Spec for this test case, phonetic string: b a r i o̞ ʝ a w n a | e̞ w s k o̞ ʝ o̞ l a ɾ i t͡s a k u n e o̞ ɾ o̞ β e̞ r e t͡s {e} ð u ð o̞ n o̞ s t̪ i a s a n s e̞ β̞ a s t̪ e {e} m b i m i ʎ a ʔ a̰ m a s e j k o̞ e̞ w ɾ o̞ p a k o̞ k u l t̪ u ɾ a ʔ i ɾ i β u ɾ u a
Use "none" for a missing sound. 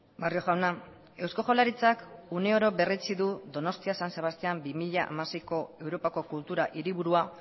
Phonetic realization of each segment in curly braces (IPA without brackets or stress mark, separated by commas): i, a